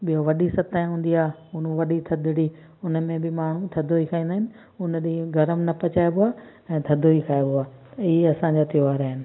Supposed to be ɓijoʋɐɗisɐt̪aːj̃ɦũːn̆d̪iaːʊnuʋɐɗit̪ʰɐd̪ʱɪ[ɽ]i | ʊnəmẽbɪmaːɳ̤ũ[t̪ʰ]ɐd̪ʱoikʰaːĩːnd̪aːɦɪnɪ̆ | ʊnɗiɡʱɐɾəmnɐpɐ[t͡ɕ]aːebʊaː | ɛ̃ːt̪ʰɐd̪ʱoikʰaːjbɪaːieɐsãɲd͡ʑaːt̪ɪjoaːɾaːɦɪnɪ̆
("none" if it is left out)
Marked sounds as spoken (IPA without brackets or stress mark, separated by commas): ɽ, t̪ʰ, t͡ɕ